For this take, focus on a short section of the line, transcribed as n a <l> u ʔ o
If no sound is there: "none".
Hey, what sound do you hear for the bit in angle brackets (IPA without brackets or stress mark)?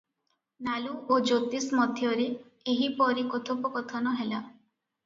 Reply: l